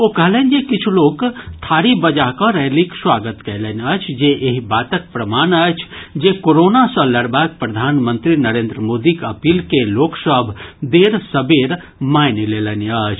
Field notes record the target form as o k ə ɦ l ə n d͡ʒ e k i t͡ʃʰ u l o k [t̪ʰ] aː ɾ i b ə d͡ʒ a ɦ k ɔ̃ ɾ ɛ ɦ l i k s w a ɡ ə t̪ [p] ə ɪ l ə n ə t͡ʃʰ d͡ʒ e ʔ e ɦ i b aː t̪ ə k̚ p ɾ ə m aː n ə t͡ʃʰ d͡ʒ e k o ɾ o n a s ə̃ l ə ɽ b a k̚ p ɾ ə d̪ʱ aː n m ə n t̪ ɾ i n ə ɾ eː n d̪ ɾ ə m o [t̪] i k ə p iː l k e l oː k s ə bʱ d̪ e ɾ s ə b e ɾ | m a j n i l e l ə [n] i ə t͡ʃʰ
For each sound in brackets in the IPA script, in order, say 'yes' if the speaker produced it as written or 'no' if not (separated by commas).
yes, no, no, yes